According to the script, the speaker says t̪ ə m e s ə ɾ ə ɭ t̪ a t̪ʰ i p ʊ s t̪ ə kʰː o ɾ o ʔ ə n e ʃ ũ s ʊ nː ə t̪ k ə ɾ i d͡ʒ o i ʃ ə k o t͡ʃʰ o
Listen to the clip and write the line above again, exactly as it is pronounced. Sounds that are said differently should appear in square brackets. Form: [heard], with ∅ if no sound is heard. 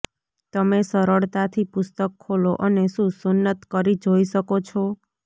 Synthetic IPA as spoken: t̪ ə m e s ə ɾ ə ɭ t̪ a t̪ʰ i p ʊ s t̪ ə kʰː o [l] o ʔ ə n e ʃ ũ s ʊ nː ə t̪ k ə ɾ i d͡ʒ o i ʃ ə k o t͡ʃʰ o

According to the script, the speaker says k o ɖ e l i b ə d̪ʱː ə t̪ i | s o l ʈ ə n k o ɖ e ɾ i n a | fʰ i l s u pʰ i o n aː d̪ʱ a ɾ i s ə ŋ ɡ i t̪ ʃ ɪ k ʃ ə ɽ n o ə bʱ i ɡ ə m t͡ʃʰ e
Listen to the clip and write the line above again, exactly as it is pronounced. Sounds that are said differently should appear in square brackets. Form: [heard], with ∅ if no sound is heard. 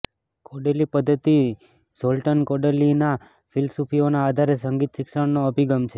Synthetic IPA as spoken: k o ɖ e l i [p] ə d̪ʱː ə t̪ i | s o l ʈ ə n k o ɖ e [l] i n a | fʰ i l s u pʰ i o n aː d̪ʱ a ɾ [e] s ə ŋ ɡ i t̪ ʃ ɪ k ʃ ə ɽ n o ə bʱ i ɡ ə m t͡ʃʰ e

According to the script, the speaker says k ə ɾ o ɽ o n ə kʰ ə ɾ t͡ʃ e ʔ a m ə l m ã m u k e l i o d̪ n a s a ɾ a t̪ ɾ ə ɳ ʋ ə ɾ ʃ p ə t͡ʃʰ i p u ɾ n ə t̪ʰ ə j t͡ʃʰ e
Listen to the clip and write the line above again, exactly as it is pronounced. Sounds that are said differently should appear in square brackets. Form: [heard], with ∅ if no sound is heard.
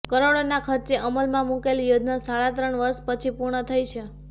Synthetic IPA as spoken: k ə ɾ o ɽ o n [a] kʰ ə ɾ t͡ʃ e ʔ [ə] m ə l m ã m u k e l [j] o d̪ n a s a [ɭ] a t̪ ɾ ə ɳ ʋ ə ɾ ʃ p ə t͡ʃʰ i p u ɾ [ɳ] ə t̪ʰ ə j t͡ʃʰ e

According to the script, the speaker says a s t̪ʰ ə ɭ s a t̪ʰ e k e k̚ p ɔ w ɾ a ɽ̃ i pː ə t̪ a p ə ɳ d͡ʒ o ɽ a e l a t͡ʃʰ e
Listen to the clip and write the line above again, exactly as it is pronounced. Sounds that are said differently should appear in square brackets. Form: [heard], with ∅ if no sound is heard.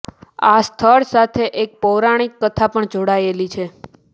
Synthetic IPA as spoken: a s t̪ʰ ə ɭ s a t̪ʰ e [ʔ] e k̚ p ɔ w ɾ a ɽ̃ i [kː] ə [t̪ʰ] a p ə ɳ d͡ʒ o ɽ a e l [i] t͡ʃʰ e

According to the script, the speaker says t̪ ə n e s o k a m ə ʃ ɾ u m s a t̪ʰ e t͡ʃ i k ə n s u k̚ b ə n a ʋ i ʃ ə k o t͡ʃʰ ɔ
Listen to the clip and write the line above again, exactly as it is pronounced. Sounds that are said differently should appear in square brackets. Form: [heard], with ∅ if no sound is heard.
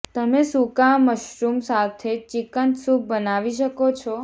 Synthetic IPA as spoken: t̪ ə [m] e s [u] k a m ə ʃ ɾ u m s a t̪ʰ e t͡ʃ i k ə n s u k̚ b ə n a ʋ i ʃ ə k o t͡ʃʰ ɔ

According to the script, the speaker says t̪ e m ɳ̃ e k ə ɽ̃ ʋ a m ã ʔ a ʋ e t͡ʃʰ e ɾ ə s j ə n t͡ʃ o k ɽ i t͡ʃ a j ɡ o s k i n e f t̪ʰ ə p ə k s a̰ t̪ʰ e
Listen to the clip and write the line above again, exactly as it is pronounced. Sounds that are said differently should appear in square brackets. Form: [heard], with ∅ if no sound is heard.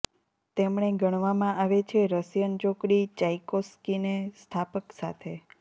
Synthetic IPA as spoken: t̪ e m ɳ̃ e [ɡ] ə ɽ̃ ʋ a m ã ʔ a ʋ e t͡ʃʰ e ɾ ə s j ə n t͡ʃ o k ɽ i t͡ʃ a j [k] o s k i n e [s] t̪ʰ [a] p ə k s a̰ t̪ʰ e

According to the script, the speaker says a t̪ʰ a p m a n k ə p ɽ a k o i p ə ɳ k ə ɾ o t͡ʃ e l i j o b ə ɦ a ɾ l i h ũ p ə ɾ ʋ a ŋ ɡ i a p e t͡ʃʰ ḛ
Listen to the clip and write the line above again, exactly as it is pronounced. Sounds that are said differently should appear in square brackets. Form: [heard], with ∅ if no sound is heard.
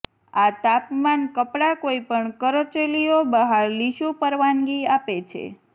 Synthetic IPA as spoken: a [t̪] a p m a n k ə p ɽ a k o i p ə ɳ k ə ɾ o t͡ʃ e l i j o b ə ɦ a ɾ l i [ʃ] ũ p ə ɾ ʋ a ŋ ɡ i a p e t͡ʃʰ ḛ

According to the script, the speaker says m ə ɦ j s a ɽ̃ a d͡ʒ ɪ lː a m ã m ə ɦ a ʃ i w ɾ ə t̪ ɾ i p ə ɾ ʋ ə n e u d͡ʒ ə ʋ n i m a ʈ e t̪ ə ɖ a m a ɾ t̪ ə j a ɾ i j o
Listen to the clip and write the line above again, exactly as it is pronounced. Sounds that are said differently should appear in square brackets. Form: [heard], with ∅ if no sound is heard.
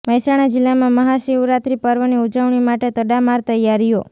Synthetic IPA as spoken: m ə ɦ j s a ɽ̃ a d͡ʒ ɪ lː a m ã m ə ɦ a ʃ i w ɾ [a] t̪ ɾ i p ə ɾ ʋ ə n [i] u d͡ʒ ə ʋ [ɳ] i m a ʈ e t̪ ə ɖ a m a ɾ t̪ ə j a ɾ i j o

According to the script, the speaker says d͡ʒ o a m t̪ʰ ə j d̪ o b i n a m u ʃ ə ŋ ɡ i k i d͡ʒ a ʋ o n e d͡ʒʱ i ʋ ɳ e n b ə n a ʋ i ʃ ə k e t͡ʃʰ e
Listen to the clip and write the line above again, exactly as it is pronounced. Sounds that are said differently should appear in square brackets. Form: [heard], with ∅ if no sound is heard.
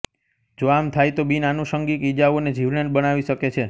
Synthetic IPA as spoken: d͡ʒ o a m t̪ʰ [a] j [t̪] o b i n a [n] u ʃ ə ŋ ɡ i k i d͡ʒ a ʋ o n e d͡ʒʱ i ʋ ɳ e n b ə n a ʋ i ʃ ə k e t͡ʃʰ e

